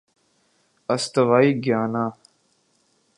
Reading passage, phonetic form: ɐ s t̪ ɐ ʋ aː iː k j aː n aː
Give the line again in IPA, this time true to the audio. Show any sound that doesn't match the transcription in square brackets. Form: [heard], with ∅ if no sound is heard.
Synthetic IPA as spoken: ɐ s t̪ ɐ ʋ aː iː [ɡ] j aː n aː